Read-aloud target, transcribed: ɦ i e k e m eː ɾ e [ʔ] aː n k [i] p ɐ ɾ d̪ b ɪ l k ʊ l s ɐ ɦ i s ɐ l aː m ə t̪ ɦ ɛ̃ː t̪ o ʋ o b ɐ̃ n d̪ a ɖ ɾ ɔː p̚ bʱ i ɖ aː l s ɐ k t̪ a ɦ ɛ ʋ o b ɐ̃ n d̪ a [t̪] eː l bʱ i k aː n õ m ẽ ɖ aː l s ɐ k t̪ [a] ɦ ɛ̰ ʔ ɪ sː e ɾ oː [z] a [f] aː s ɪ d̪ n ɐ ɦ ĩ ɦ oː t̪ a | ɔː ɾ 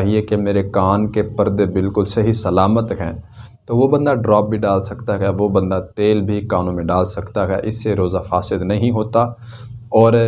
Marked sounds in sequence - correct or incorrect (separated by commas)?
incorrect, incorrect, correct, correct, correct, correct